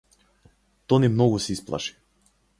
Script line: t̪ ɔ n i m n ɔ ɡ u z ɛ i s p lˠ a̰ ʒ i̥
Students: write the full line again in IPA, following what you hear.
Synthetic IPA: t̪ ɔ n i m n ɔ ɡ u s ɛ i s p lˠ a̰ ʃ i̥